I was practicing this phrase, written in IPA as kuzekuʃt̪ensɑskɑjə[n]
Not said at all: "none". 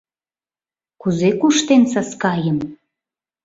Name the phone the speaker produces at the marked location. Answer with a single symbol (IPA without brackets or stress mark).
m